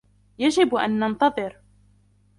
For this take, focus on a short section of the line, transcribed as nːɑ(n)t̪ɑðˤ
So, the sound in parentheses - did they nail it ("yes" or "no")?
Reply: yes